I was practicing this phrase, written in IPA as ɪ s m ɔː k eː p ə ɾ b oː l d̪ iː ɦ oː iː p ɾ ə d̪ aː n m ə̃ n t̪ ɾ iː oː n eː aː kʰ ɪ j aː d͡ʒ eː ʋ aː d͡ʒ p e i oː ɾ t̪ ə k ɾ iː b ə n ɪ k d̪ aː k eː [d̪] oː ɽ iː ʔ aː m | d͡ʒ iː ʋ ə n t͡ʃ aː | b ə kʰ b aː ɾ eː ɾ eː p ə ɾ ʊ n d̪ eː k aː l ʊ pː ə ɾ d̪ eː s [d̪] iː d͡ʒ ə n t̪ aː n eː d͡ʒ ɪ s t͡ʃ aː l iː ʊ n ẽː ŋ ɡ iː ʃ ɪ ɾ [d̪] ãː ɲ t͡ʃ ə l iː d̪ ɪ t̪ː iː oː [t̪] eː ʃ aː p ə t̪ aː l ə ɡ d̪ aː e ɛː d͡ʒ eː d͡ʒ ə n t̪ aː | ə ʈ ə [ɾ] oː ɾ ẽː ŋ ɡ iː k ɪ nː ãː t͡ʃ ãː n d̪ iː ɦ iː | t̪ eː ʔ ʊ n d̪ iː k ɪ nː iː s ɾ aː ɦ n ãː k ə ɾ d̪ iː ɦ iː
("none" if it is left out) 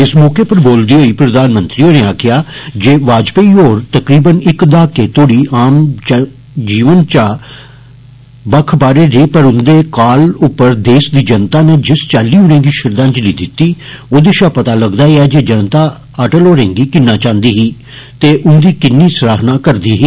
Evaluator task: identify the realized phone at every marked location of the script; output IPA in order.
t̪, d̪, d̪, d̪, l

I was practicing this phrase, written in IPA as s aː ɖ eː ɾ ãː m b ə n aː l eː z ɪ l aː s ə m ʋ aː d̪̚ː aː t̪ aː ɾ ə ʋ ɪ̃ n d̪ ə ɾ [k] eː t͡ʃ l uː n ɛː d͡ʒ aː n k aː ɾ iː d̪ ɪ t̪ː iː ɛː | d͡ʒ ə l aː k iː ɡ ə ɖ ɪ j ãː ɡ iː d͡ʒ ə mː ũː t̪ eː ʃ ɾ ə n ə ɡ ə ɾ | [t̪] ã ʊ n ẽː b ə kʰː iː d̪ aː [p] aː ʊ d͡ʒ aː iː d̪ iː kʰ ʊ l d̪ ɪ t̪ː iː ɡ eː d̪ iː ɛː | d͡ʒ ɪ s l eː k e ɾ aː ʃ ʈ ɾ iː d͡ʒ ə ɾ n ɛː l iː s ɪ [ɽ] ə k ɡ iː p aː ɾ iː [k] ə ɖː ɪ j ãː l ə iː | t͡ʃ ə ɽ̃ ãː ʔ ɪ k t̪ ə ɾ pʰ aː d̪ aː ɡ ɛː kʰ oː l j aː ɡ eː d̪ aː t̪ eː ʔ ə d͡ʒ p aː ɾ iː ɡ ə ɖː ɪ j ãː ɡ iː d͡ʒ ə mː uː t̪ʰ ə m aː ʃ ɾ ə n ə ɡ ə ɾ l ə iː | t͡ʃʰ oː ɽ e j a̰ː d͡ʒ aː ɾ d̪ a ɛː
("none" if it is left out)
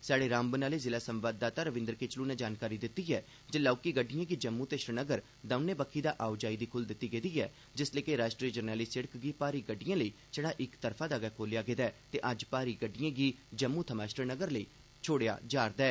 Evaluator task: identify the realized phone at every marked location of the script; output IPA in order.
k, d̪, ʔ, ɽ, ɡ

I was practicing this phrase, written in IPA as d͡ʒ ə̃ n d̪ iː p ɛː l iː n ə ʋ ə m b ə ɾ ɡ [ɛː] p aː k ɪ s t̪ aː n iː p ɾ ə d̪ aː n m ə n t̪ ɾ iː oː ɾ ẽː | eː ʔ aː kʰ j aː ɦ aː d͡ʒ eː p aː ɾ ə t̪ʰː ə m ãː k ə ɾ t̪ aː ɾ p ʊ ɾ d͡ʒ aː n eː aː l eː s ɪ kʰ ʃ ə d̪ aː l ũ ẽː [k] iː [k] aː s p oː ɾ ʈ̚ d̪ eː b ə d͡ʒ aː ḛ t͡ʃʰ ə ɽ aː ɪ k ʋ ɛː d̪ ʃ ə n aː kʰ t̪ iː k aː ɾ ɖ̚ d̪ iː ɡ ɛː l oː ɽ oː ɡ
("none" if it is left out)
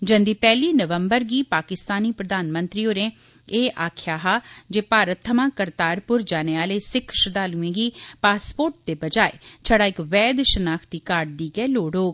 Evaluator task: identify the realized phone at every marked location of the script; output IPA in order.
iː, ɡ, p

